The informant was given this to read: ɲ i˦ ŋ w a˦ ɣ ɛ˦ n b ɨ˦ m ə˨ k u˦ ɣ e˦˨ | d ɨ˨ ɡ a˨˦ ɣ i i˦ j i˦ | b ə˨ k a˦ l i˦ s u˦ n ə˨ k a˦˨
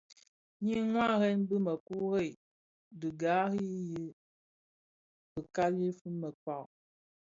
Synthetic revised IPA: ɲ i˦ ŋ w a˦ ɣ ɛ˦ n b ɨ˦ m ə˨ k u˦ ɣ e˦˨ | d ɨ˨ ɡ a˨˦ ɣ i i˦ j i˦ | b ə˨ k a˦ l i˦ f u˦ m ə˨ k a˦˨